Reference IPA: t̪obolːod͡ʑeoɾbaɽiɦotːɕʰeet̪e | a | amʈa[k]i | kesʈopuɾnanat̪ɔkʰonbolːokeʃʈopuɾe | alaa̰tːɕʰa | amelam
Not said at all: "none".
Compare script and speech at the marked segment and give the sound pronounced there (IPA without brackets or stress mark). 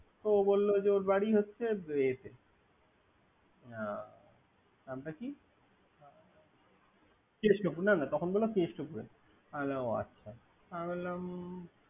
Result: k